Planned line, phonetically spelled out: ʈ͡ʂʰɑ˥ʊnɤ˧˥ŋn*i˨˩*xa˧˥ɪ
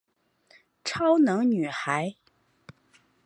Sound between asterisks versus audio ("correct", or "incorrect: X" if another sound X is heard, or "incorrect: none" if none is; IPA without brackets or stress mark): incorrect: y˨˩